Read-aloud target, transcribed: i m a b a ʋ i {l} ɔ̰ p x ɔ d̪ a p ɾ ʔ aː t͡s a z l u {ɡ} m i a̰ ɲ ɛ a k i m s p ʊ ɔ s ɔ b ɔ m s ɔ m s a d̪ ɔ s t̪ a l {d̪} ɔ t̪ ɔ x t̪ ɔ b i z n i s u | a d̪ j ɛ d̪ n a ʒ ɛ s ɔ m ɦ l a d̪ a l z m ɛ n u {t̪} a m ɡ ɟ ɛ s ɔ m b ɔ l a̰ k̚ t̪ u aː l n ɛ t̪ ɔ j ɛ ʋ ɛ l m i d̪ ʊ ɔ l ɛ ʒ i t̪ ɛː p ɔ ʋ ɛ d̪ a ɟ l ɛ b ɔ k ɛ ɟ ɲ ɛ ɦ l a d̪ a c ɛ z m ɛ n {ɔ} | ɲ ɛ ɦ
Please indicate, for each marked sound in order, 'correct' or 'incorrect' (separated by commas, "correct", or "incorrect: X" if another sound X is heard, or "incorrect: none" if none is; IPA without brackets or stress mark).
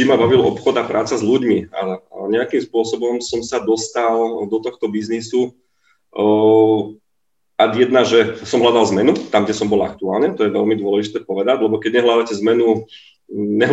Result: correct, incorrect: ɟ, correct, correct, incorrect: u